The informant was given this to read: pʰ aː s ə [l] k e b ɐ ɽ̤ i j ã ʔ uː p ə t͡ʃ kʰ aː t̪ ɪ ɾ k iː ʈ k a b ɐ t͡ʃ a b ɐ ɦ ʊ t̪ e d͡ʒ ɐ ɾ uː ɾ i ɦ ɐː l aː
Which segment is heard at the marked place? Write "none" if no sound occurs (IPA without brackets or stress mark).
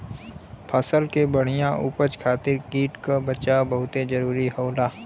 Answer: l